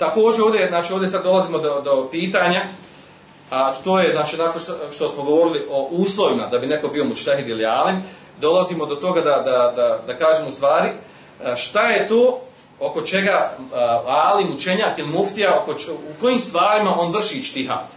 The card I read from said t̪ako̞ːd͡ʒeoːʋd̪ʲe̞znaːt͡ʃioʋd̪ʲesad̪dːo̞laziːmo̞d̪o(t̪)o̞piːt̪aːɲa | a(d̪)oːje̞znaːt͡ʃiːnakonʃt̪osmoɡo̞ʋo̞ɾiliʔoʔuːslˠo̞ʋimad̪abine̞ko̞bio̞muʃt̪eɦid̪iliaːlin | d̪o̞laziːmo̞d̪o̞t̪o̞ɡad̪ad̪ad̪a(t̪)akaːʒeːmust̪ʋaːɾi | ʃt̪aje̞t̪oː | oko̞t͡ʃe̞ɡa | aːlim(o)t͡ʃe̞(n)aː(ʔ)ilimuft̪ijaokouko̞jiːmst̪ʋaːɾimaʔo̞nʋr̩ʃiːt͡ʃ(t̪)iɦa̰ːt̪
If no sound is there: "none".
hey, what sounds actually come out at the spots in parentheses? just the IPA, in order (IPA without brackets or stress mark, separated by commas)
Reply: d̪, t̪, d̪, u, ɲ, k, t̪